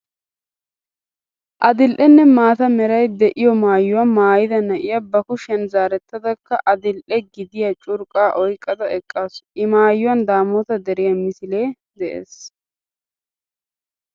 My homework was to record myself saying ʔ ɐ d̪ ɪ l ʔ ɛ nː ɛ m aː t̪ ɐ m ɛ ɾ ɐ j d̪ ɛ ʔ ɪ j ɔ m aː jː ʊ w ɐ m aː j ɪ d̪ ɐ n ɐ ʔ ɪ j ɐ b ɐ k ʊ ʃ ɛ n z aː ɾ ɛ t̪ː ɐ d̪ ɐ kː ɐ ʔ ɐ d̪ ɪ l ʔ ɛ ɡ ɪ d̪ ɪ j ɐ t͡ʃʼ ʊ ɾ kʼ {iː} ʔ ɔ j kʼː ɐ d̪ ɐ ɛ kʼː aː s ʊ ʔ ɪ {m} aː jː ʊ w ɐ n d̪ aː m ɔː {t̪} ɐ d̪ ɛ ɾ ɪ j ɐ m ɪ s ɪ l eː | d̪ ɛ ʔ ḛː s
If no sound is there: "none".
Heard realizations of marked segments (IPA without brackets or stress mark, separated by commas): aː, m, t̪